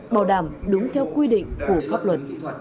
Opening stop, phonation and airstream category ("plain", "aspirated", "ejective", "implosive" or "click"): implosive